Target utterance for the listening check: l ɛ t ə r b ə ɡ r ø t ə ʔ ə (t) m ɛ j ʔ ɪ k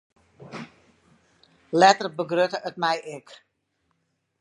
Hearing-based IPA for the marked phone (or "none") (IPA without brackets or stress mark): t